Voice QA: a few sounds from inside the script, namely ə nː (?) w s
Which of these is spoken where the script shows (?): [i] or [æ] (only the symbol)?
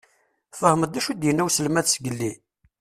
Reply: æ